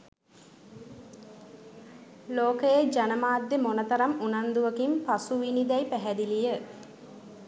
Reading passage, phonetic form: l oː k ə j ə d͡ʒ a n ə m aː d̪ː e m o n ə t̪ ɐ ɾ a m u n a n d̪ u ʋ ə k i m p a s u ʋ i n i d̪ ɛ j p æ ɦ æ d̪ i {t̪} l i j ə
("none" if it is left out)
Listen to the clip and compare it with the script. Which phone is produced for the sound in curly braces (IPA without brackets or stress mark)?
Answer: none